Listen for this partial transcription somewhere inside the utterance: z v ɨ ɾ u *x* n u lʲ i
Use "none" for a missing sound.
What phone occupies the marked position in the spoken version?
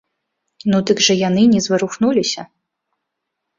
x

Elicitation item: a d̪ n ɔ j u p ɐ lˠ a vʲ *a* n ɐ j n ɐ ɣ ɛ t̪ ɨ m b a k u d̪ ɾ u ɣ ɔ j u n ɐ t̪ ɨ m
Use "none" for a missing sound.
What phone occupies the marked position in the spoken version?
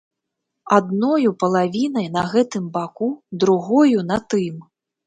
i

